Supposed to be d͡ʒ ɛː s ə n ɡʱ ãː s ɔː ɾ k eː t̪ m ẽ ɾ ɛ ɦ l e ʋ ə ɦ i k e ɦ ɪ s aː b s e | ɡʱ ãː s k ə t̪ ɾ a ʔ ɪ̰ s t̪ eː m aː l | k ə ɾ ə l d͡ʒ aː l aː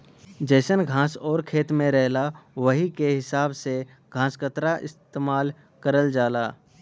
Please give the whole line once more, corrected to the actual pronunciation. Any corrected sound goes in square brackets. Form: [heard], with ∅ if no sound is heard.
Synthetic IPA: d͡ʒ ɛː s ə n ɡʱ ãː s ɔː ɾ [kʰ] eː t̪ m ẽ ɾ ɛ ɦ l [a] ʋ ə ɦ i k e ɦ ɪ s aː b s e | ɡʱ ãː s k ə t̪ ɾ a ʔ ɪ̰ s t̪ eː m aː l | k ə ɾ ə l d͡ʒ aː l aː